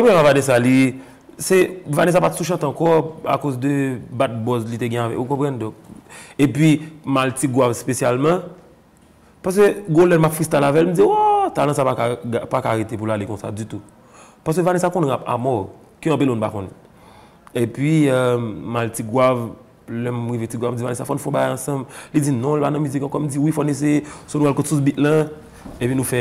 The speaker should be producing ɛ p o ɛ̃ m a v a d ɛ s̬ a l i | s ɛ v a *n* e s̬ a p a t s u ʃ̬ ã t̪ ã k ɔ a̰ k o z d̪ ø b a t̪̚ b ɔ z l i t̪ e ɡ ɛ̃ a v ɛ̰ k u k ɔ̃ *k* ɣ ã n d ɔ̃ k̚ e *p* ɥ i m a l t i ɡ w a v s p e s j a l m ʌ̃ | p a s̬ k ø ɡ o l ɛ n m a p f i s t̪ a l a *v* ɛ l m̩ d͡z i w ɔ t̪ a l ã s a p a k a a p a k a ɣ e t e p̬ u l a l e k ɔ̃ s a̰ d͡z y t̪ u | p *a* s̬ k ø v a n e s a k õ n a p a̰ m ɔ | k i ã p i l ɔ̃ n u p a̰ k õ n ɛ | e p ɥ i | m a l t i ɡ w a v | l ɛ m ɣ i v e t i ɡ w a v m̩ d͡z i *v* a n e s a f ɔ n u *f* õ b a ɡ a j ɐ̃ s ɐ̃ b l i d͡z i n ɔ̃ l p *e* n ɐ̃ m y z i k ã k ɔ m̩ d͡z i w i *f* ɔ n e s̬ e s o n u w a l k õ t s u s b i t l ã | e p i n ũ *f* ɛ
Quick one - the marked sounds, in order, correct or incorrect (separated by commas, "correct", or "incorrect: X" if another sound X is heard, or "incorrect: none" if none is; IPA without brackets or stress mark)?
correct, incorrect: p, correct, correct, correct, correct, correct, incorrect: a, correct, correct